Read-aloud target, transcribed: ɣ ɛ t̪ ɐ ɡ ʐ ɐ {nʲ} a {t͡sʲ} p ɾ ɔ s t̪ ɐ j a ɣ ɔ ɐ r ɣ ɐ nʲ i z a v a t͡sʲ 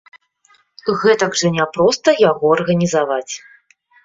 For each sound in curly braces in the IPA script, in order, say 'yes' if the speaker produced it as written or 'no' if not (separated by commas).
yes, no